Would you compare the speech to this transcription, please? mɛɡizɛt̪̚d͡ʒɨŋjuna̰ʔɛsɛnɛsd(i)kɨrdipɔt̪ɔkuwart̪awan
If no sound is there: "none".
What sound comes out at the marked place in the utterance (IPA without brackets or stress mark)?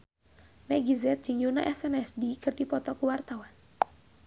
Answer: i